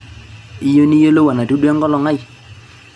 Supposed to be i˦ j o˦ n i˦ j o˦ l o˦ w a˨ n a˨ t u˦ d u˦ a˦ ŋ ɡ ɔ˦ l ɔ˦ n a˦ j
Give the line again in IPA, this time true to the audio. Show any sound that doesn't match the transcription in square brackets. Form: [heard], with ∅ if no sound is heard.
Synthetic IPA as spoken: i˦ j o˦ n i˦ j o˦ l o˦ w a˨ n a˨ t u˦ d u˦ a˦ ŋ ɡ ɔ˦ l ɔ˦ [ŋ] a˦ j